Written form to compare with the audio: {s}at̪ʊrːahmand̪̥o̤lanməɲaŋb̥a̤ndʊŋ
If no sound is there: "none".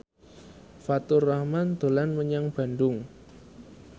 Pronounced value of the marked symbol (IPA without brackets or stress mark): f